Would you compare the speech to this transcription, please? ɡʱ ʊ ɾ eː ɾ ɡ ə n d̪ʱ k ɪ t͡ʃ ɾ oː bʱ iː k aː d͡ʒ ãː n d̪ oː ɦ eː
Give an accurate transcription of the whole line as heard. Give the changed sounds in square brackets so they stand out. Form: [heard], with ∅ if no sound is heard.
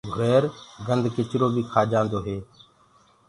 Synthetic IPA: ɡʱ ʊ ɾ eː ɾ ɡ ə n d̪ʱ k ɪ t͡ʃ ɾ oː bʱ iː [kʰ] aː d͡ʒ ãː n d̪ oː ɦ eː